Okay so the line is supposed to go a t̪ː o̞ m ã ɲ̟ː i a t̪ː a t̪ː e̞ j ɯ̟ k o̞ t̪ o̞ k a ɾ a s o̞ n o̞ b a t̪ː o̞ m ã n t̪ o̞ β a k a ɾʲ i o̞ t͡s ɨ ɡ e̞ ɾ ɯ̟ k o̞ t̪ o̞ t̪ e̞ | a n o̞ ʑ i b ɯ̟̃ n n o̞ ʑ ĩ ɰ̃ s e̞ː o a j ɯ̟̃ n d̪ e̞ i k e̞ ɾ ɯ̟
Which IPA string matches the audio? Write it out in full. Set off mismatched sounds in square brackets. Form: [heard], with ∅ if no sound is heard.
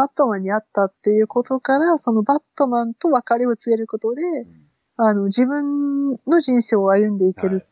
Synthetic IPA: a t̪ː o̞ m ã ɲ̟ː i a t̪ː a t̪ː e̞ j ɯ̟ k o̞ t̪ o̞ k a ɾ a s o̞ n o̞ b a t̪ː o̞ m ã n t̪ o̞ β a k a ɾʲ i o̞ t͡s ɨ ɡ e̞ ɾ ɯ̟ k o̞ t̪ o̞ [d̪] e̞ | a n o̞ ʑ i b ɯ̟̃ n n o̞ ʑ ĩ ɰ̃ s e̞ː o a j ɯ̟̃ n d̪ e̞ i k e̞ ɾ ɯ̟